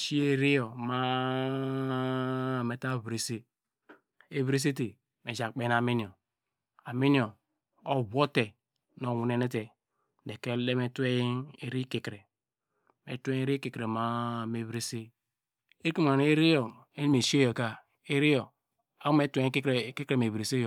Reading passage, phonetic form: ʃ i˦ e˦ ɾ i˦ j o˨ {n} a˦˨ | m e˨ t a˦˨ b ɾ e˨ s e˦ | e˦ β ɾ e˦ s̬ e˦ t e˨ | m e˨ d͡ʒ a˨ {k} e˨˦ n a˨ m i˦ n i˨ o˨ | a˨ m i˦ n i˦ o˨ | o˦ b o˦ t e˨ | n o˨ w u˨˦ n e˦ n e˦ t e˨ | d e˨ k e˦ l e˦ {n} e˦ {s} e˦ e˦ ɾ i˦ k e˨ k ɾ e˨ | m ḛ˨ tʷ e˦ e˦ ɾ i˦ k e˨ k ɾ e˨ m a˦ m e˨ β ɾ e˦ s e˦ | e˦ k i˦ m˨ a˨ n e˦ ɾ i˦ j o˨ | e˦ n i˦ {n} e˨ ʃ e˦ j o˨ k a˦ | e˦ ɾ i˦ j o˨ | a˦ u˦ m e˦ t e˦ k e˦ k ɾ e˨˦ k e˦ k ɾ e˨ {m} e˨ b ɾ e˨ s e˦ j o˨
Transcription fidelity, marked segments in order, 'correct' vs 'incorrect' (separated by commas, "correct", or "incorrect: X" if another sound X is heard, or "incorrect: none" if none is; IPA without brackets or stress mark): incorrect: m, incorrect: k͡p, incorrect: m, incorrect: t, incorrect: m, correct